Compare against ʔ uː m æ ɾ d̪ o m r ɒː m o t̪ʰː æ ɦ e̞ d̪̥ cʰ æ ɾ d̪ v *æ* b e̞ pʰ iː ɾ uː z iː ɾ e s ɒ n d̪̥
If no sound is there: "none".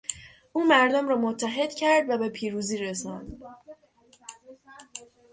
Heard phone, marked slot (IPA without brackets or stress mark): æ